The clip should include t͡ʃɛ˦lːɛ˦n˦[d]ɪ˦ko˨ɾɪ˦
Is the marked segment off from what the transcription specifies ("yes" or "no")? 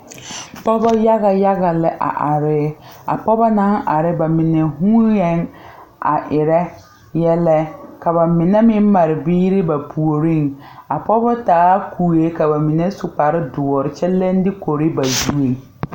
no